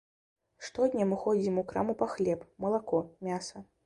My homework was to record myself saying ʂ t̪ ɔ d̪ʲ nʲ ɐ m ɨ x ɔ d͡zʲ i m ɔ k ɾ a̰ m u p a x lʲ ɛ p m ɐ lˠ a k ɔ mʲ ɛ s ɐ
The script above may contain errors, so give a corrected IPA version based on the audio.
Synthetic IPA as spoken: ʂ t̪ ɔ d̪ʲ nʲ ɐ m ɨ x ɔ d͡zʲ i m u k ɾ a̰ m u p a x lʲ ɛ p m ɐ lˠ a k ɔ mʲ a s ɐ